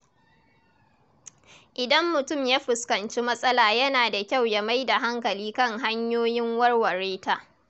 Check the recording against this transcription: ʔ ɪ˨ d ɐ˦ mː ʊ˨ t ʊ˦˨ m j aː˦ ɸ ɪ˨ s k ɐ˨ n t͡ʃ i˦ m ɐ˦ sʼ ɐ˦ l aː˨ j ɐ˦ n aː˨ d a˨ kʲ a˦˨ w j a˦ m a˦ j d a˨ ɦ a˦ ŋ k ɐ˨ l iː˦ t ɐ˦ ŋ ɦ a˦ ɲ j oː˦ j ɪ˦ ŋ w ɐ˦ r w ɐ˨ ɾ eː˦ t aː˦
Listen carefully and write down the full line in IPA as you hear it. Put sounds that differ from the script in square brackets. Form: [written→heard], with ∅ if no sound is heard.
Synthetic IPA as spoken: ʔ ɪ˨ d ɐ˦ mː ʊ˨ t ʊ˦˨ m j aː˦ ɸ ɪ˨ s k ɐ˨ n t͡ʃ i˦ m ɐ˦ sʼ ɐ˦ l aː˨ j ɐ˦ n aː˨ d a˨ kʲ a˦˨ w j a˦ m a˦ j d a˨ ɦ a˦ ŋ k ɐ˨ l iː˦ [t→k] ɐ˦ ŋ ɦ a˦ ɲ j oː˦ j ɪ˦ ŋ w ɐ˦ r w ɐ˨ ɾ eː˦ t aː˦